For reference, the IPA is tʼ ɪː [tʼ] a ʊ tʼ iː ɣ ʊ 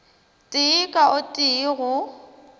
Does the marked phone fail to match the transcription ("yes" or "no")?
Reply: yes